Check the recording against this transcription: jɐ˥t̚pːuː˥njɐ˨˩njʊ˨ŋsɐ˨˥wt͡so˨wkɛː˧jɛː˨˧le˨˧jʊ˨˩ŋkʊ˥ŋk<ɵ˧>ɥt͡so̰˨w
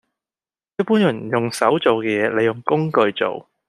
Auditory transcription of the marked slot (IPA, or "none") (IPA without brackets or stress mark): ɵ˧